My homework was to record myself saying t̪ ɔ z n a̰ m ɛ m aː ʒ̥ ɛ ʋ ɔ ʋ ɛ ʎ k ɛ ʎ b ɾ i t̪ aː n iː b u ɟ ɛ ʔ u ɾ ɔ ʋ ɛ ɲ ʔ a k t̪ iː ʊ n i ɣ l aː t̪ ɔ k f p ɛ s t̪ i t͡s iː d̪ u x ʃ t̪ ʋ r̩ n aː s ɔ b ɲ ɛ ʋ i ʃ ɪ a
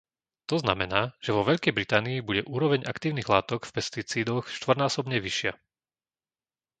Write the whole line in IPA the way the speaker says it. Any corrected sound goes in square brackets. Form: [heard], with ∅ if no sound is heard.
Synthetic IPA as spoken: t̪ ɔ z n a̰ m ɛ [n] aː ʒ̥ ɛ ʋ ɔ ʋ ɛ ʎ k ɛ [j] b ɾ i t̪ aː n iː b u ɟ ɛ ʔ [uː] ɾ ɔ ʋ ɛ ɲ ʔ a k t̪ iː ʊ n i ɣ l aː t̪ ɔ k f p ɛ s t̪ i t͡s iː d̪ [ɔ] x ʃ t̪ ʋ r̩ n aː s ɔ b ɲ ɛ ʋ i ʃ ɪ a